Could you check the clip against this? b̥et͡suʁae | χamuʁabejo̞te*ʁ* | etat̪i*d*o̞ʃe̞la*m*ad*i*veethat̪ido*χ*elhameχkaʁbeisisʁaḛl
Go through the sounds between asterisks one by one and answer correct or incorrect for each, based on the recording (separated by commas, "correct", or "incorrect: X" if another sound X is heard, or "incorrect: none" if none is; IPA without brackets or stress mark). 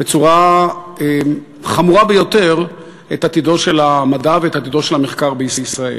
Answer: correct, correct, correct, incorrect: a, incorrect: ʃ